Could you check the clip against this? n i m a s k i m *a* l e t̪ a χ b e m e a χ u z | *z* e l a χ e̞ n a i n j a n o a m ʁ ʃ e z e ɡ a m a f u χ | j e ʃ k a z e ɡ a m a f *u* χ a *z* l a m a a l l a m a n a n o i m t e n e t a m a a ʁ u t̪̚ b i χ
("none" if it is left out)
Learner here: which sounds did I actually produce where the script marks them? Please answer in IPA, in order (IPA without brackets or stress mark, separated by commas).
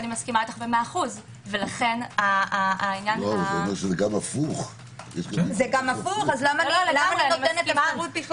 a, v, u, z